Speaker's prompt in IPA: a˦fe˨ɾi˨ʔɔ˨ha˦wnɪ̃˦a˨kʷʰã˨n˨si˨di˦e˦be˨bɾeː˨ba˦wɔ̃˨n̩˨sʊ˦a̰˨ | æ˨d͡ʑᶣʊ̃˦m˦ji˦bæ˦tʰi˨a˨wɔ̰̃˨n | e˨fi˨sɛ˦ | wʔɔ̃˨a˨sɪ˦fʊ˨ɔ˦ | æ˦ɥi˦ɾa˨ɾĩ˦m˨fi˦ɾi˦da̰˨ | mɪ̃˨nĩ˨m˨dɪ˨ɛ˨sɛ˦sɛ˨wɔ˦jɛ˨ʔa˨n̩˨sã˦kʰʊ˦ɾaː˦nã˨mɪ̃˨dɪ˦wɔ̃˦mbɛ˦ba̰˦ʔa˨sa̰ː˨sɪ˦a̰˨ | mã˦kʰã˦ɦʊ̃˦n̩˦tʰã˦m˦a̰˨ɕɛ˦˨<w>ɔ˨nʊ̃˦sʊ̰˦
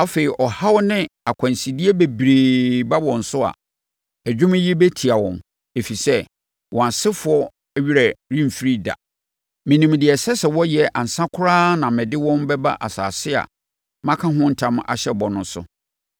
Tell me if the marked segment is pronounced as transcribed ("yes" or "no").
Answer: no